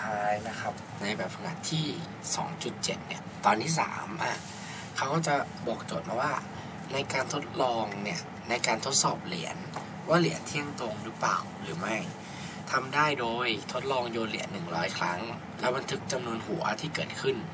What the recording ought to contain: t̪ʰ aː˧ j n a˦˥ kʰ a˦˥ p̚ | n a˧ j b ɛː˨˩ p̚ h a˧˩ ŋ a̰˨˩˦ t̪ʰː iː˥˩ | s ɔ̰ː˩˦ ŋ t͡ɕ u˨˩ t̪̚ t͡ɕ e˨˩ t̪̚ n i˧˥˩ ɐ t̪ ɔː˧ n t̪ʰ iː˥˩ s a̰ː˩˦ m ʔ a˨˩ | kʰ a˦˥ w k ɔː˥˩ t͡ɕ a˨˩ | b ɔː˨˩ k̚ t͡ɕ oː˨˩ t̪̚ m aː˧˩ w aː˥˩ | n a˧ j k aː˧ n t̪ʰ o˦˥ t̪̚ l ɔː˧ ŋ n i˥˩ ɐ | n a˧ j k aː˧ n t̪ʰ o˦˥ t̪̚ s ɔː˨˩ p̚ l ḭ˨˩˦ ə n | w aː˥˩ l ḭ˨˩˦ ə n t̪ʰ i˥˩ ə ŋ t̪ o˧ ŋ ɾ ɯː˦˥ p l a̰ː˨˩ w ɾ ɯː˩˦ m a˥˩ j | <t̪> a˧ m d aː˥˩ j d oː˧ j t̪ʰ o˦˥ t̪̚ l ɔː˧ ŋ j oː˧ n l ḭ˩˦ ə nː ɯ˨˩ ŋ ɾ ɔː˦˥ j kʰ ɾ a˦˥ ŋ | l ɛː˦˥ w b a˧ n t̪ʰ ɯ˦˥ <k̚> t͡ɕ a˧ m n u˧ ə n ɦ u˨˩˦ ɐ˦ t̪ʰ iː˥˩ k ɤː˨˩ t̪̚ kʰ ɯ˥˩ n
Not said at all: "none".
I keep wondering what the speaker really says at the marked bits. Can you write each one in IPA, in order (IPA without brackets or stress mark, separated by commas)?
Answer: t̪ʰ, k̚